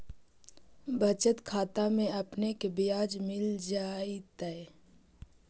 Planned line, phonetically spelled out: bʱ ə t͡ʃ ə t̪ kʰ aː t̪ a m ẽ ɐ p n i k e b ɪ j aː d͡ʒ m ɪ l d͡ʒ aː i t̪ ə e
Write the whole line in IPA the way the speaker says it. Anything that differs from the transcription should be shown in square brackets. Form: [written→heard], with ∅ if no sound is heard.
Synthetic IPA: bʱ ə t͡ʃ ə t̪ kʰ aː t̪ a m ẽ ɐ p n [i→e] k e b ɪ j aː d͡ʒ m ɪ l d͡ʒ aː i t̪ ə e